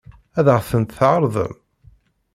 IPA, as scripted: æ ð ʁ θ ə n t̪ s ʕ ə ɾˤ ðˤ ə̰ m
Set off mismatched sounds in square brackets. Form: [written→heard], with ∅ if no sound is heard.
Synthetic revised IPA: æ ð ʁ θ ə n t̪ [s→θ] ʕ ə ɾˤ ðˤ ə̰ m